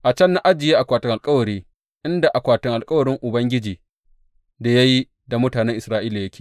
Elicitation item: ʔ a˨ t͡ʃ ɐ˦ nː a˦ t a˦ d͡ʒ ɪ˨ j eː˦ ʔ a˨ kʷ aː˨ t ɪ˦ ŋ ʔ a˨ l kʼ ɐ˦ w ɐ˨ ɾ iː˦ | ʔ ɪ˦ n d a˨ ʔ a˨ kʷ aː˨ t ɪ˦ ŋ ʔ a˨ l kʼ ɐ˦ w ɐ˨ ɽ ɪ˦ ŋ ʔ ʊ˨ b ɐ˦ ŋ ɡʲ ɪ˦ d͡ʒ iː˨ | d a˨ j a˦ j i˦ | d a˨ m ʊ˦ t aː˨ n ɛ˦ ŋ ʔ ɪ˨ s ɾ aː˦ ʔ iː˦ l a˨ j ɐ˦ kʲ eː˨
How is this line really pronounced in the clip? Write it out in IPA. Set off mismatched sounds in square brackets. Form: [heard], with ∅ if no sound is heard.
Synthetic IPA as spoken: ʔ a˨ t͡ʃ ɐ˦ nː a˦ [ʔ] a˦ d͡ʒ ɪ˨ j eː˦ ʔ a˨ kʷ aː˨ t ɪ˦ ŋ ʔ a˨ l kʼ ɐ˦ w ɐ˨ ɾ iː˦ | ʔ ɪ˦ n d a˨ ʔ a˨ kʷ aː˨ t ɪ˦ ŋ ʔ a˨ l kʼ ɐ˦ w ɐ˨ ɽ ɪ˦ ŋ ʔ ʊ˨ b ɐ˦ ŋ ɡʲ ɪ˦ d͡ʒ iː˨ | d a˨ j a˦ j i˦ | d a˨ m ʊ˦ t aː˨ n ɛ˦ ŋ ʔ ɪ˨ s ɾ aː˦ ʔ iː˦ l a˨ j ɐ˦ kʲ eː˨

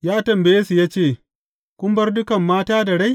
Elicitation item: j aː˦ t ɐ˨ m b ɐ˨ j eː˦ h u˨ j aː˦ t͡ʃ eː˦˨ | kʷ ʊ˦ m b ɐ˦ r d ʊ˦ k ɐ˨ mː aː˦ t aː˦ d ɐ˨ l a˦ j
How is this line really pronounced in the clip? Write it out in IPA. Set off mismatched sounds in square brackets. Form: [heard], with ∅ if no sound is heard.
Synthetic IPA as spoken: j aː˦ t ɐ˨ m b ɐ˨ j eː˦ [s] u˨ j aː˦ t͡ʃ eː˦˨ | kʷ ʊ˦ m b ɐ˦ r d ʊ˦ k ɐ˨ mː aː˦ t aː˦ d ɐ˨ [ɽ] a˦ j

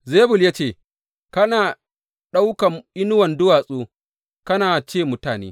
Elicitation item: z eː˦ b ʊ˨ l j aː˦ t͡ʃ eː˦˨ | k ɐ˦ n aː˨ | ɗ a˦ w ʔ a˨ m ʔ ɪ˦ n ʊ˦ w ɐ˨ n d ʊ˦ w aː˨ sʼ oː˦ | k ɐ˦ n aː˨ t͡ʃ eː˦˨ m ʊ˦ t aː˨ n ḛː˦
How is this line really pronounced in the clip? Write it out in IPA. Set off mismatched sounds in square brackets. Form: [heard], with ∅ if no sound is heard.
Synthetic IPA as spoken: z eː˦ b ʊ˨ l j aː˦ t͡ʃ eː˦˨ | k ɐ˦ n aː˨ | ɗ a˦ w [k] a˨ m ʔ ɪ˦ n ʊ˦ w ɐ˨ n d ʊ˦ w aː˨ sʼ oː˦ | k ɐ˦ n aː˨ t͡ʃ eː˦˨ m ʊ˦ t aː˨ n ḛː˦

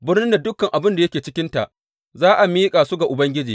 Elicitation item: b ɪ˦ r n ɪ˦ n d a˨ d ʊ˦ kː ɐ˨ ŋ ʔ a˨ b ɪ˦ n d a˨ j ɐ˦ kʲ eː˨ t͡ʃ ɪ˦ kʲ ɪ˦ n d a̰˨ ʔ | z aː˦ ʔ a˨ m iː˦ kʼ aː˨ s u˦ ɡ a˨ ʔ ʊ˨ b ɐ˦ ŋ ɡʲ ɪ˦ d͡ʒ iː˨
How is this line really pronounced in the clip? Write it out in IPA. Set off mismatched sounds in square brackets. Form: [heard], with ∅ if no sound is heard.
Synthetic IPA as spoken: b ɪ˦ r n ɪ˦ n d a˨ d ʊ˦ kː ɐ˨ ŋ ʔ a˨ b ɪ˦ n d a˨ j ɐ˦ kʲ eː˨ t͡ʃ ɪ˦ kʲ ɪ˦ n [t] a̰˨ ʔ | z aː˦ ʔ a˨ m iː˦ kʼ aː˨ s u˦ ɡ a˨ ʔ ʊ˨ b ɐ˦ ŋ ɡʲ ɪ˦ d͡ʒ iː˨

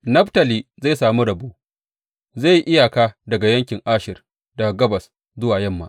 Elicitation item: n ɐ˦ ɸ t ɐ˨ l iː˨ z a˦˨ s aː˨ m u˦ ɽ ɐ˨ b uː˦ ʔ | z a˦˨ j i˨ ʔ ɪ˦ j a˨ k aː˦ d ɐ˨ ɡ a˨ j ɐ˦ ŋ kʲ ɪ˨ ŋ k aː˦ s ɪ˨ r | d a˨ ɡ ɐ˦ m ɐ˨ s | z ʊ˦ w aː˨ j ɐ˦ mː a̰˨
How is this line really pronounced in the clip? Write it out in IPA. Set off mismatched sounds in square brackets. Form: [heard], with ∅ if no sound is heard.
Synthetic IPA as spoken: n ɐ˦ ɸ t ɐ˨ l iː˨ z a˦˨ s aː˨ m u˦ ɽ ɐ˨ b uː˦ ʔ | z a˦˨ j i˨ ʔ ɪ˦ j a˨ k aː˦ d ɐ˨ ɡ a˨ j ɐ˦ ŋ kʲ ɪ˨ ŋ [ʔ] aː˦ [ʃ] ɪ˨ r | d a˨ ɡ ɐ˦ [b] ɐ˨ s | z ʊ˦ w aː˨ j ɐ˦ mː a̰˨

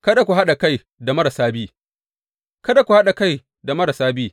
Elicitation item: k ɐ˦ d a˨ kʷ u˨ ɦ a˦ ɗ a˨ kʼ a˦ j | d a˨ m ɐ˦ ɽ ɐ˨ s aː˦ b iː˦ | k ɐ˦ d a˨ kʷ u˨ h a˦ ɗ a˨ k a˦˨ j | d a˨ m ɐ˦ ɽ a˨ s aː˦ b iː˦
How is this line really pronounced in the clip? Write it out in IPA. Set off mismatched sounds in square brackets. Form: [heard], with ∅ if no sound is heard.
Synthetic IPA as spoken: k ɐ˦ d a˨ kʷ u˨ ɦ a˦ ɗ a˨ [k] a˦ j | d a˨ m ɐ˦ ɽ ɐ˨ s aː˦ b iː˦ | k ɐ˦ d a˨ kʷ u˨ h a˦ ɗ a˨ k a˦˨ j | d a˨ m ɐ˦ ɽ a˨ s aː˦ b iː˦

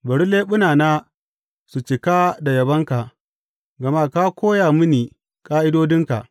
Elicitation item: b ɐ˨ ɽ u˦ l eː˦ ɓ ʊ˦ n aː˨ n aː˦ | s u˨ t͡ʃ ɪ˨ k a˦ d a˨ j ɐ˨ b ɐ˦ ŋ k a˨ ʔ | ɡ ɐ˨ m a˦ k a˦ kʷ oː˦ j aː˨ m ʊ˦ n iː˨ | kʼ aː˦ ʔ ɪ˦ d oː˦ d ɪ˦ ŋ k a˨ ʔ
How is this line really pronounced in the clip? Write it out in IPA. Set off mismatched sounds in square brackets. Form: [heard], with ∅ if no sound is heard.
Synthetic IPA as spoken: b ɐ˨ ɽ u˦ l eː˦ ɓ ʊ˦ n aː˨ n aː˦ | s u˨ t͡ʃ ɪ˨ k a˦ d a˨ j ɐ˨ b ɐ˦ ŋ k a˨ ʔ | ɡ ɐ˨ m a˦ k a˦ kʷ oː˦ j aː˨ m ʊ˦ n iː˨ | kʼ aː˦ ʔ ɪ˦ d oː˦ d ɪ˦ ŋ k a˨ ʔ

